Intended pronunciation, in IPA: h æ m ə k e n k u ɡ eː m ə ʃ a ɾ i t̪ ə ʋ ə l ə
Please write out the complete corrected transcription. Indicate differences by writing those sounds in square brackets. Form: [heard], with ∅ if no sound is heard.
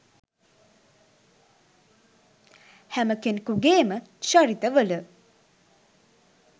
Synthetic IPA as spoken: h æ m ə k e n k u ɡ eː m ə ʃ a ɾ i t̪ ə ʋ ə l ə